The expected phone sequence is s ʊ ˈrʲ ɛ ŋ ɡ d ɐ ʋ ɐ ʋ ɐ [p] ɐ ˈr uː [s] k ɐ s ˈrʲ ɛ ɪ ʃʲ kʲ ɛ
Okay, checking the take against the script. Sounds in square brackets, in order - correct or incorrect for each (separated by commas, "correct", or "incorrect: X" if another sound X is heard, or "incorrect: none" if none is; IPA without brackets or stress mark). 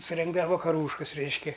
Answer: incorrect: k, incorrect: ʃ